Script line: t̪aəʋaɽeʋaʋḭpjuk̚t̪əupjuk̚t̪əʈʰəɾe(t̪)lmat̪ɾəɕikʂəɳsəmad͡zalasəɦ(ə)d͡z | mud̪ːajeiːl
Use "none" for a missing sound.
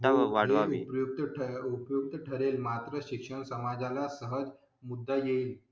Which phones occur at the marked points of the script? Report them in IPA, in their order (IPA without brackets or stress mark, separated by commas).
none, ə